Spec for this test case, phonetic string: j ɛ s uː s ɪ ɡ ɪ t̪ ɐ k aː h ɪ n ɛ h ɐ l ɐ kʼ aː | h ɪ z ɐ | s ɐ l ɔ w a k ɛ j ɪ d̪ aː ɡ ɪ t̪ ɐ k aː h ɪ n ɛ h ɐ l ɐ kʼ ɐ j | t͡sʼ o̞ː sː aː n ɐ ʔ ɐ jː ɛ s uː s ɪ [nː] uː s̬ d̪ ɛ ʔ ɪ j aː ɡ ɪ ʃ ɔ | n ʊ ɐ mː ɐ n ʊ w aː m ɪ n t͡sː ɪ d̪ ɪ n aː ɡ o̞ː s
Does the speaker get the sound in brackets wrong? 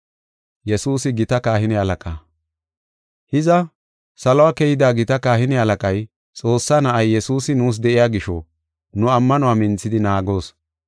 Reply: yes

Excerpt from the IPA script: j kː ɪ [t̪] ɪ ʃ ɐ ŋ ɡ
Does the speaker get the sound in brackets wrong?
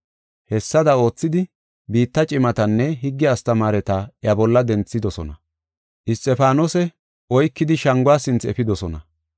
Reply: yes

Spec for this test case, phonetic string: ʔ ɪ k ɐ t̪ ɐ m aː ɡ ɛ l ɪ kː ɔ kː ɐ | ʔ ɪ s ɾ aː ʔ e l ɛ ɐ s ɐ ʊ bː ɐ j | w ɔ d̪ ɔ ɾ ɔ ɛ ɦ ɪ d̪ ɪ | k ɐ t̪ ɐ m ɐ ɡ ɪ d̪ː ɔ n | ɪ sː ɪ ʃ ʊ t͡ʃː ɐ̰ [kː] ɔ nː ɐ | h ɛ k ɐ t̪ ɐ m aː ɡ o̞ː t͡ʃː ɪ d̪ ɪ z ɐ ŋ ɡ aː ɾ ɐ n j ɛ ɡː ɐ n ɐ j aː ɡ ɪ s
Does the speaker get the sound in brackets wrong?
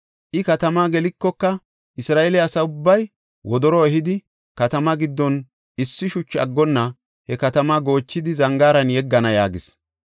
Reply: yes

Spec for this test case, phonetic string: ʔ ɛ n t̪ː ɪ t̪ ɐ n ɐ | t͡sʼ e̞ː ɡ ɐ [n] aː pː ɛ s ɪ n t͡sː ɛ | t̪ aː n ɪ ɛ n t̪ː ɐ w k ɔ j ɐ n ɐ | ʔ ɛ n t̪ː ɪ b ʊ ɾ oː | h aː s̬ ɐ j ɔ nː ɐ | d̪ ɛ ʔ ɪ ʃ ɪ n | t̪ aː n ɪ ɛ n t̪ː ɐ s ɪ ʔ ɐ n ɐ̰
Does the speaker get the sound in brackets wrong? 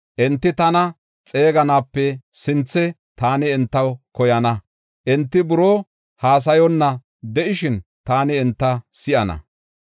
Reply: no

